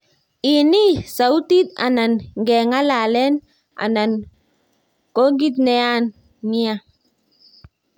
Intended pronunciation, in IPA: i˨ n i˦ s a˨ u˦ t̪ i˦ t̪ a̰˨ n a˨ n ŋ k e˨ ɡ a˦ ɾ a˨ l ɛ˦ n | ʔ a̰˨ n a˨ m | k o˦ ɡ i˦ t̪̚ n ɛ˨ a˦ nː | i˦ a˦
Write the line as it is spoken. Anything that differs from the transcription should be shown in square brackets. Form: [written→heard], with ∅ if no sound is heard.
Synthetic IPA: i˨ n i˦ s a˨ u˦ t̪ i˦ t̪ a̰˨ n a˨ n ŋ [k→ɡ] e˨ [ɡ→ŋ] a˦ [ɾ→l] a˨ l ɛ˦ n | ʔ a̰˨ n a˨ [m→n] | k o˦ ɡ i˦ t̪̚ n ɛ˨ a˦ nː | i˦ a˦